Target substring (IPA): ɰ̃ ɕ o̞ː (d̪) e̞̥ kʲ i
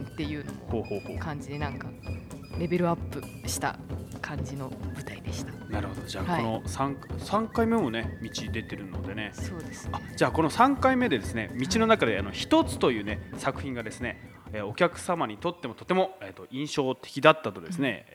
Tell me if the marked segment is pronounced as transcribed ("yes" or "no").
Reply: no